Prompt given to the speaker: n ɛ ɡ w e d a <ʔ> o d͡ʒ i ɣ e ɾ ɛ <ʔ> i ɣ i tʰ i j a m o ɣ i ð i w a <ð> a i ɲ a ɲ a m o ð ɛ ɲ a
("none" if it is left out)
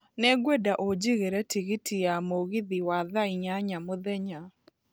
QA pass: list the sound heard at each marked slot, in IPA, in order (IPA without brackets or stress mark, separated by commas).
ʔ, t, ð